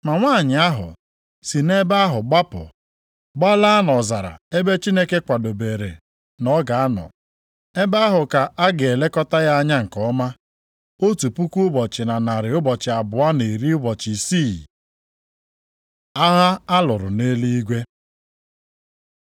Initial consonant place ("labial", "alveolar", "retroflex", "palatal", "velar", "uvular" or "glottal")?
labial